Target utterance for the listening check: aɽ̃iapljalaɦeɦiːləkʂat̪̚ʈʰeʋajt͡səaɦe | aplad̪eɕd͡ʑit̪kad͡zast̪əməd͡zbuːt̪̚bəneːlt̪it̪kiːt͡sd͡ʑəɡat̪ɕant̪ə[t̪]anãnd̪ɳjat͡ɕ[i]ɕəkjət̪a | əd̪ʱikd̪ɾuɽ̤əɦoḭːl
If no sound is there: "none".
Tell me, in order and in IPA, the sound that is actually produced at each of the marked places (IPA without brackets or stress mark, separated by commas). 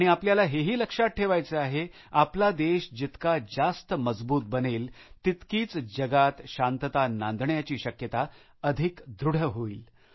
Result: t̪, iː